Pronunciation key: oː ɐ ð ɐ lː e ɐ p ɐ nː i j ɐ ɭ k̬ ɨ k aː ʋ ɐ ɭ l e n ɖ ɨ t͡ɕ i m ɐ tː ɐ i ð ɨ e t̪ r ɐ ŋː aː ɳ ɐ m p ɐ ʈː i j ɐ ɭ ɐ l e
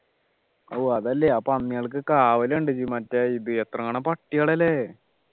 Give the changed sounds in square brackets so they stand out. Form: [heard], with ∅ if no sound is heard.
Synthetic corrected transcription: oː ɐ ð ɐ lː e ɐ p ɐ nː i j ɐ ɭ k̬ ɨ k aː ʋ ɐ [∅] l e [ɳ] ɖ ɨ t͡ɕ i m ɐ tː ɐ i ð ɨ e t̪ r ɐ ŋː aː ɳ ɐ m p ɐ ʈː i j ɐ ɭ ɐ l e